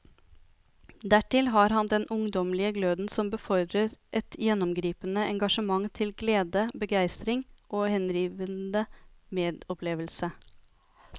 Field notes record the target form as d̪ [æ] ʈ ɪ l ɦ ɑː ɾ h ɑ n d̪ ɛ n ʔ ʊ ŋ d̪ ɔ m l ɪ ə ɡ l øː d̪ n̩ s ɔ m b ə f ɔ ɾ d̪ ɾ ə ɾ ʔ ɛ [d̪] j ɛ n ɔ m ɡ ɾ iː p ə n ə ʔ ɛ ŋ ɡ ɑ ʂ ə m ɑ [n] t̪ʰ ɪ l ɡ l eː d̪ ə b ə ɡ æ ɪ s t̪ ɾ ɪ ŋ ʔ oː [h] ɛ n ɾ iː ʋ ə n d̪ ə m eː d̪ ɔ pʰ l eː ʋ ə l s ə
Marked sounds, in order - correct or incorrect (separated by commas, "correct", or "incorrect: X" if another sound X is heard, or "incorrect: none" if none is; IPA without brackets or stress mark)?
correct, incorrect: t̪, incorrect: ŋ, correct